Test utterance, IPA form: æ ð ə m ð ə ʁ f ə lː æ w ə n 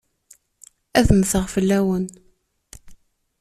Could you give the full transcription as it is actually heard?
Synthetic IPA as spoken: æ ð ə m θ ə ʁ f ə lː æ w ə n